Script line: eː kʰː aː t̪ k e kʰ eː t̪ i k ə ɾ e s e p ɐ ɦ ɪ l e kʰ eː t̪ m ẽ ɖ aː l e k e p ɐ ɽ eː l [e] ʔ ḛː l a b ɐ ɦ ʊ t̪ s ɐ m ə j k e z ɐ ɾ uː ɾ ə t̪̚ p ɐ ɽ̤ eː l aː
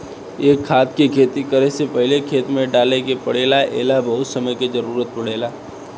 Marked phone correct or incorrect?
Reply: incorrect